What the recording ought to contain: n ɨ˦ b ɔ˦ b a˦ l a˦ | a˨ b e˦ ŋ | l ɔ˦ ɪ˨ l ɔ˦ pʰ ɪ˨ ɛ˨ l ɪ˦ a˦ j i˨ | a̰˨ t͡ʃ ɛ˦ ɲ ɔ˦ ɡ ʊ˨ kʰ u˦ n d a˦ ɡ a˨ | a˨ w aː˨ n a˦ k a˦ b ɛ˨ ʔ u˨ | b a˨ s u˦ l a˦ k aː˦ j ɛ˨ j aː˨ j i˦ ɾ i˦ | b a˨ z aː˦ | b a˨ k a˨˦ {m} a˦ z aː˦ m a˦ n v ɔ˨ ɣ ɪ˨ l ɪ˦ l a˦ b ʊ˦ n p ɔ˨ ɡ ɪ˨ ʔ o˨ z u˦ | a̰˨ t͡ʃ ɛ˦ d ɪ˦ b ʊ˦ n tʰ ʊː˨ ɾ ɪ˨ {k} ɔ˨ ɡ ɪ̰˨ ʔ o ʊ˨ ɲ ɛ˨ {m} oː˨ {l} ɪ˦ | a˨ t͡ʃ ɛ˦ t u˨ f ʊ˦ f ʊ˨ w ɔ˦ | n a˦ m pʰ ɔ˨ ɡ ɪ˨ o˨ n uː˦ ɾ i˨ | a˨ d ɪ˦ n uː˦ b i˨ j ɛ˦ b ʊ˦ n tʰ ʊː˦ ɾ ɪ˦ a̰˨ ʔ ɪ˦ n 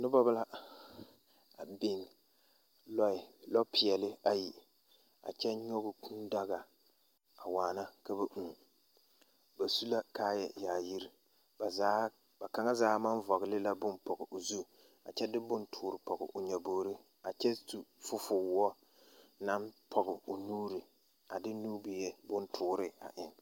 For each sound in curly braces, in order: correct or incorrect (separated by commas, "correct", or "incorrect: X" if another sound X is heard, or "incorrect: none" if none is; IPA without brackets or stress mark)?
incorrect: ŋ, incorrect: p, incorrect: b, incorrect: ɾ